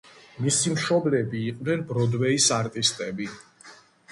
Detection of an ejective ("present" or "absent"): present